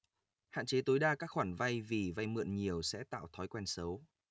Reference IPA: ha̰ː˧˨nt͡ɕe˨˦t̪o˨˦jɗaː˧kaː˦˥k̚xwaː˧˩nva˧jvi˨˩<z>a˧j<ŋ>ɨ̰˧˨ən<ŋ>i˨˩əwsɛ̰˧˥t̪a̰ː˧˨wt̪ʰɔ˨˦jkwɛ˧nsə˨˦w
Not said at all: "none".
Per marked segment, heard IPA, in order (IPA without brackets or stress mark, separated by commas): v, m, ɲ